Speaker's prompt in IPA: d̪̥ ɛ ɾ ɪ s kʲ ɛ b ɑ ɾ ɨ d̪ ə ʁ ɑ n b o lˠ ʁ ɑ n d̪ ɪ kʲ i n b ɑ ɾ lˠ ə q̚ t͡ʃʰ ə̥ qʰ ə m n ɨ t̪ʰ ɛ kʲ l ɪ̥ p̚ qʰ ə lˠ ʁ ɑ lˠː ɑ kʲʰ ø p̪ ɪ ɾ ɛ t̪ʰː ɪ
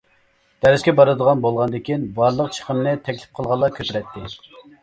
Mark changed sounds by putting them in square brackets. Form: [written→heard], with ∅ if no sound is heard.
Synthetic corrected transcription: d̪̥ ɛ ɾ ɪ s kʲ ɛ b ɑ ɾ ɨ d̪ ə ʁ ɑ n b o lˠ ʁ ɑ n d̪ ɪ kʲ i n b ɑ ɾ lˠ ə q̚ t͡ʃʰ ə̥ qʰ ə m n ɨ t̪ʰ ɛ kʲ l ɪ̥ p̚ qʰ ə lˠ ʁ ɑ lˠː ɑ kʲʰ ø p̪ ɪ ɾ ɛ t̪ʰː ɪ